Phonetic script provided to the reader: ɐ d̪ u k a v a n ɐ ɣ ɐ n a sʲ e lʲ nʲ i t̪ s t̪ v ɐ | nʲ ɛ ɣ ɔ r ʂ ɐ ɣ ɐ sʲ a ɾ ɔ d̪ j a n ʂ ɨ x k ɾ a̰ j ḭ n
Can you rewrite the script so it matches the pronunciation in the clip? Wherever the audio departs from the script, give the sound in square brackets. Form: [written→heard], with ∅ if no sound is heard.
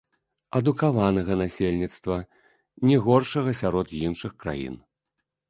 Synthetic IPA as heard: ɐ d̪ u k a v a n ɐ ɣ ɐ n a sʲ e lʲ nʲ i t̪ s t̪ v ɐ | nʲ ɛ ɣ ɔ r ʂ ɐ ɣ ɐ sʲ a ɾ ɔ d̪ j [a→i] n ʂ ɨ x k ɾ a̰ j ḭ n